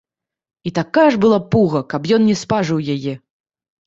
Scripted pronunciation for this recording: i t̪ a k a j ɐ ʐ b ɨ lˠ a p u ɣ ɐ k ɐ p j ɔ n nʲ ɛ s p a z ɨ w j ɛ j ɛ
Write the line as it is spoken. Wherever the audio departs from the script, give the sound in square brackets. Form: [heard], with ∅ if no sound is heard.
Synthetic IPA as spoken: i t̪ a k a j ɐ ʐ b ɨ lˠ a p u ɣ ɐ k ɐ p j ɔ n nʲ ɛ s p a [ʐ] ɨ w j [a] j ɛ